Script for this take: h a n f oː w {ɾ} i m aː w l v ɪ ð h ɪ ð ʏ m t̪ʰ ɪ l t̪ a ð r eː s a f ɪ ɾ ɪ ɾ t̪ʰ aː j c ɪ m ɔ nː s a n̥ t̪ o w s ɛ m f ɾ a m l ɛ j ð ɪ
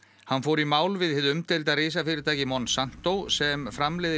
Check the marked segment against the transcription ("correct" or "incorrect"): correct